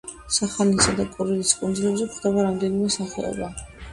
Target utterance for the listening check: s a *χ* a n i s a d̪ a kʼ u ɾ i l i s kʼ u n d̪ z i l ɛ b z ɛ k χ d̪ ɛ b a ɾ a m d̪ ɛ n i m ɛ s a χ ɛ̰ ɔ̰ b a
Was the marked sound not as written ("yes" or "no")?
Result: no